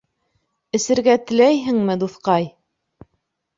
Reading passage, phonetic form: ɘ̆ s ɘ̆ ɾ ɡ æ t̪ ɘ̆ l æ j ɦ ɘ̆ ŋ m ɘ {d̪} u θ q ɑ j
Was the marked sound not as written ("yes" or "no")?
no